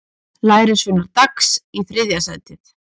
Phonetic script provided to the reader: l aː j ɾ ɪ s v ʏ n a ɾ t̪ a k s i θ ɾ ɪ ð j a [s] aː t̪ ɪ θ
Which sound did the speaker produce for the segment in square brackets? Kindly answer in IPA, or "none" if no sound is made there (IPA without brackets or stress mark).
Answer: s